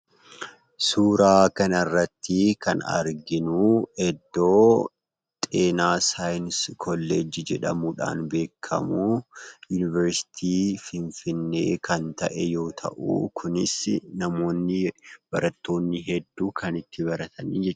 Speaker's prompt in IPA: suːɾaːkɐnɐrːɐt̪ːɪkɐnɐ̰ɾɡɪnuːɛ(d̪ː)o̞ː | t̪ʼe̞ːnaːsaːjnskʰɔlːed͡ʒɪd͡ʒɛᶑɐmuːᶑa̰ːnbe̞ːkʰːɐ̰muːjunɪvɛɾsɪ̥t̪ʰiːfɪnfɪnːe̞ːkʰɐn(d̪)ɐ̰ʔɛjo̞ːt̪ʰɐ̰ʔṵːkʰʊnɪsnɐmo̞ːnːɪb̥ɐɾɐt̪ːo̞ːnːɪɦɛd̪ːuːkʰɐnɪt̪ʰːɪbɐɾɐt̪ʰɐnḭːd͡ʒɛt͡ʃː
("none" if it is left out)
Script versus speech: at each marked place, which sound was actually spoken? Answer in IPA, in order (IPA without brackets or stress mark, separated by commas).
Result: d̪ː, t̪